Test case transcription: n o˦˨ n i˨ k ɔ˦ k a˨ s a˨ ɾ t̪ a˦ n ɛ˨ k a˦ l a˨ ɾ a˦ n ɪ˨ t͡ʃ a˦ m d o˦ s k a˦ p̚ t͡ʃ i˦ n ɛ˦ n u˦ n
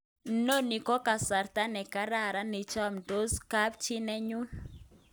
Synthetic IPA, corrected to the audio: n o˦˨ n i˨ k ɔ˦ k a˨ s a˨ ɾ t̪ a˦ n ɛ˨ k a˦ ɾ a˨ ɾ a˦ n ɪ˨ t͡ʃ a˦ m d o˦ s k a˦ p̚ t͡ʃ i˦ n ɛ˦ ɲ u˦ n